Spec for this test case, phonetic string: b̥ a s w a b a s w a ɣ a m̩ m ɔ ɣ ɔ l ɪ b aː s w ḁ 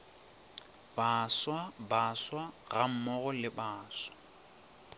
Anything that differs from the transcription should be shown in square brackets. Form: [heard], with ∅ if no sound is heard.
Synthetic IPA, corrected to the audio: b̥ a s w a b a s w a ɣ a m̩ m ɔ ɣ ɔ l ɪ b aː s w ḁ

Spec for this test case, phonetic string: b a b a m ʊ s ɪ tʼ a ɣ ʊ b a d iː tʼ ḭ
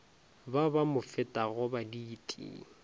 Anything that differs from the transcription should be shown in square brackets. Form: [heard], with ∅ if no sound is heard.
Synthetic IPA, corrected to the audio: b a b a m ʊ [f] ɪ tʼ a ɣ ʊ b a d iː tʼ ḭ

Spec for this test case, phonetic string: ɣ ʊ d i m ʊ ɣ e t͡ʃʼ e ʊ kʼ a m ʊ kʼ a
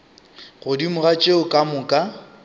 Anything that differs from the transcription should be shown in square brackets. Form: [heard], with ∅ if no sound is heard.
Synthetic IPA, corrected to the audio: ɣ ʊ d i m ʊ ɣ [a] t͡ʃʼ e ʊ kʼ a m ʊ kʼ a

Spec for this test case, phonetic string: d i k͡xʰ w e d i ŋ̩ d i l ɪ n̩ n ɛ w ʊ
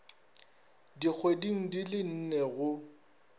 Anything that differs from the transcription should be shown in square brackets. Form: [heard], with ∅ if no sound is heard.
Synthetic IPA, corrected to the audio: d i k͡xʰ w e d i ŋ̩ d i l ɪ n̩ n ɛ [ɣ] ʊ

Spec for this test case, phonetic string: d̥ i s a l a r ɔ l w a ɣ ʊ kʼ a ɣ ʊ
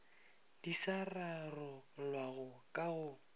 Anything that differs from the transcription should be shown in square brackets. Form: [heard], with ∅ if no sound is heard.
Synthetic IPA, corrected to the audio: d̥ i s a [r] a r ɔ l w a ɣ ʊ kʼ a ɣ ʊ

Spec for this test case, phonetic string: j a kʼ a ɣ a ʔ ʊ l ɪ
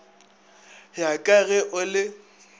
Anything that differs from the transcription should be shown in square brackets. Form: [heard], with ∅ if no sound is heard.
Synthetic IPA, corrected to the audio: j a kʼ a ɣ [ɛ] ʔ ʊ l ɪ

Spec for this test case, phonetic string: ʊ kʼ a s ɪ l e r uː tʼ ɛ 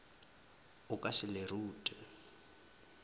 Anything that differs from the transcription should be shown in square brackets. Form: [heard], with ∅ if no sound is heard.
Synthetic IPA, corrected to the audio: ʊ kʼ a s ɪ l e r uː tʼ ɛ

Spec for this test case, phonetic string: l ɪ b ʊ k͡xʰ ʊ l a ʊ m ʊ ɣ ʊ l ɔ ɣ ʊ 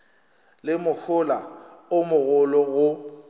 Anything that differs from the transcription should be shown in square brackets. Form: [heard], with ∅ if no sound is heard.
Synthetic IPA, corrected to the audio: l ɪ [m] ʊ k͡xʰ ʊ l a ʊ m ʊ ɣ ʊ l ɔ ɣ ʊ

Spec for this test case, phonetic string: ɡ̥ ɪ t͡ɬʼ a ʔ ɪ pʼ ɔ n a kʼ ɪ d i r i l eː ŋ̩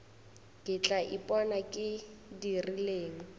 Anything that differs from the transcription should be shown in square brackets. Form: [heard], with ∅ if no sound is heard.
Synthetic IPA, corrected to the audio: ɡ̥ ɪ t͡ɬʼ a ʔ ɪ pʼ ɔ n a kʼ ɪ d i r i l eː ŋ̩

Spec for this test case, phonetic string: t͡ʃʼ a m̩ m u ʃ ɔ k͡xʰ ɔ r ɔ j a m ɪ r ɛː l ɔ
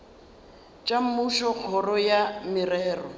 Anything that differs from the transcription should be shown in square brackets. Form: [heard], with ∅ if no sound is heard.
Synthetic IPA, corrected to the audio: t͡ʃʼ a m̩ m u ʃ ɔ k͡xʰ ɔ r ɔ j a m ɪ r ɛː [r] ɔ

